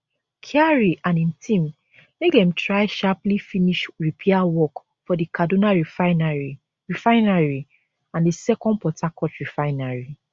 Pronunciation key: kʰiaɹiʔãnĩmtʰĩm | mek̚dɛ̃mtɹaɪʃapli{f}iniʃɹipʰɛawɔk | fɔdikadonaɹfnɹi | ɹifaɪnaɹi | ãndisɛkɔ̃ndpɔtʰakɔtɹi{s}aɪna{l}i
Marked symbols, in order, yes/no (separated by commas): yes, no, no